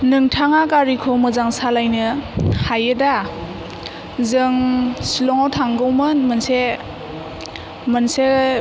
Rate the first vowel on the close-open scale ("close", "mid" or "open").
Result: close